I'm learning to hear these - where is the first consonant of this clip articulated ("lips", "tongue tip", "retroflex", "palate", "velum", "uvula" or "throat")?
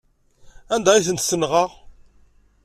tongue tip